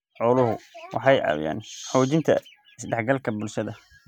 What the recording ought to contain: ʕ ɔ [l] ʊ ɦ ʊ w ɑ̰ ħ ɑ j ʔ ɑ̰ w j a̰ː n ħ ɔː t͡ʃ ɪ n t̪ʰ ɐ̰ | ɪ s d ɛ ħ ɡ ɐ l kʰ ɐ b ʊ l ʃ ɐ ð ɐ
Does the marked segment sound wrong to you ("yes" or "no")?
no